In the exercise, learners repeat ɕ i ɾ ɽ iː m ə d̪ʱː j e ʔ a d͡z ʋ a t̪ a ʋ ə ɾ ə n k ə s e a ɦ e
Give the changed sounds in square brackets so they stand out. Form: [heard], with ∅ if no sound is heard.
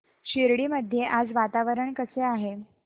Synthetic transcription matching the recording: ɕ i ɾ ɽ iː m ə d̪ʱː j e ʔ a d͡z ʋ a t̪ a ʋ ə ɾ ə [ɳ] k ə s e a ɦ e